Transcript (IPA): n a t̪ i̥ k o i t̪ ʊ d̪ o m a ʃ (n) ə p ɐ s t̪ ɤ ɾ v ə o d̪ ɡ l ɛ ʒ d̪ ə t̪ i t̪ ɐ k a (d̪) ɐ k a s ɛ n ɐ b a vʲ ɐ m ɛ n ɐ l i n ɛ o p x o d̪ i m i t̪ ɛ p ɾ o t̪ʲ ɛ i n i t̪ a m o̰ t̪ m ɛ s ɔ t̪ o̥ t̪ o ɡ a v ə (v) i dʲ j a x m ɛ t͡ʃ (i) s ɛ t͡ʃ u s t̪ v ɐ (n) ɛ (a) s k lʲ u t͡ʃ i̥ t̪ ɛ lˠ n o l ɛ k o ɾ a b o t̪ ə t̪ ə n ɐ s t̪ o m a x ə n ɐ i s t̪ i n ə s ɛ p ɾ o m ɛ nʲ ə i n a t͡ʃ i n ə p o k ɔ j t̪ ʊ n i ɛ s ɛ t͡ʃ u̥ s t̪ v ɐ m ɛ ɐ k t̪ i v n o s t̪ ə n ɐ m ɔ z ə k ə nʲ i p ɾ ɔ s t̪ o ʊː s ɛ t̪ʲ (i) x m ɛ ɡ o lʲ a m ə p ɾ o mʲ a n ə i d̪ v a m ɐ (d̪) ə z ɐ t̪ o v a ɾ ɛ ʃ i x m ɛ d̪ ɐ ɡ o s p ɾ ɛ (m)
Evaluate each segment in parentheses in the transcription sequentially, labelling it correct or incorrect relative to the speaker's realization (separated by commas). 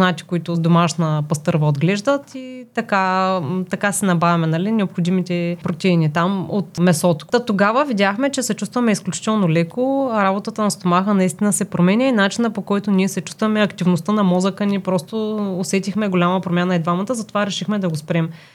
correct, incorrect, correct, incorrect, incorrect, incorrect, correct, incorrect, correct